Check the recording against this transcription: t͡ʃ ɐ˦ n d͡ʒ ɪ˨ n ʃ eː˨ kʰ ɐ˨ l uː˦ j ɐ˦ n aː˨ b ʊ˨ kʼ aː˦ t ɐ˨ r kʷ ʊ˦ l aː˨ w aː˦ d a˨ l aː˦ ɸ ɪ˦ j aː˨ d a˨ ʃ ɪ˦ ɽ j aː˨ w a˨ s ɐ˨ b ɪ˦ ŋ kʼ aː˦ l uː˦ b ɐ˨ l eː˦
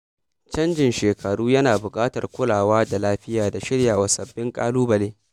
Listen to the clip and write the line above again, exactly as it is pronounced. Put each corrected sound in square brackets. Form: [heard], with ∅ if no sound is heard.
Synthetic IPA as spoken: t͡ʃ ɐ˦ n d͡ʒ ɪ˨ n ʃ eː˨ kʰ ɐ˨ [ɽ] uː˦ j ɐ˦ n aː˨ b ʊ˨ kʼ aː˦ t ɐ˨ r kʷ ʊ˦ l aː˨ w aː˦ d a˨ l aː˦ ɸ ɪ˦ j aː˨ d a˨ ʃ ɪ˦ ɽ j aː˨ w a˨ s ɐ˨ [bː] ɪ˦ ŋ kʼ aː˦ l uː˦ b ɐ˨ l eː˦